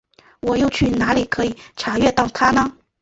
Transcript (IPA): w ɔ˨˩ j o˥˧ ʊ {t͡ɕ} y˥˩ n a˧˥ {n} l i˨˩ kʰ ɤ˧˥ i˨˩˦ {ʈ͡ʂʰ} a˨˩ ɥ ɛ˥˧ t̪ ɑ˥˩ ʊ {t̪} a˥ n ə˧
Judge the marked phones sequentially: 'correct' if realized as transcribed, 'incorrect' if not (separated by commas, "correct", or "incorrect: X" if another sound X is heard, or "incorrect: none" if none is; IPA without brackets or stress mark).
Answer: incorrect: t͡ɕʰ, incorrect: none, correct, incorrect: t̪ʰ